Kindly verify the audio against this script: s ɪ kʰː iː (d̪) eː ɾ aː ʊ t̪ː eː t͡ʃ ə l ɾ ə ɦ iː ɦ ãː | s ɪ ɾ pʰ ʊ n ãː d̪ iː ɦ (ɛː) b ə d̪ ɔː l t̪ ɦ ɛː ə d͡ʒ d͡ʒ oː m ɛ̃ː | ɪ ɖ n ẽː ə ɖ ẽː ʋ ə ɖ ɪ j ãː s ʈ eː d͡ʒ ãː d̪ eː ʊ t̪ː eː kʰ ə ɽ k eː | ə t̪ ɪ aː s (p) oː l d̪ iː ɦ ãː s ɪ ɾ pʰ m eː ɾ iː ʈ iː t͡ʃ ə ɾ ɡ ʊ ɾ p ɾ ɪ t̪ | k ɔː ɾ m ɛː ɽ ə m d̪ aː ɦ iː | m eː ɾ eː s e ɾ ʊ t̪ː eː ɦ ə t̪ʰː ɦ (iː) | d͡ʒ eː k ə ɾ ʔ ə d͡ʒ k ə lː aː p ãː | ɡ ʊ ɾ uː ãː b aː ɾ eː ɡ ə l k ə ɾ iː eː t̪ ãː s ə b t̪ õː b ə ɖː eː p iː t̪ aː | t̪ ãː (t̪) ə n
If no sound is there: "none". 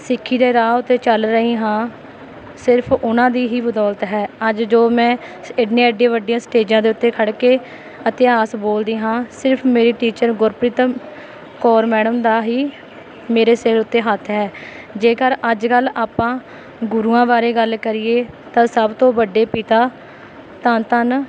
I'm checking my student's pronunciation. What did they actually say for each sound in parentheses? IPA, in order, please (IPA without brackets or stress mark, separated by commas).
d̪, iː, b, ɛː, t̪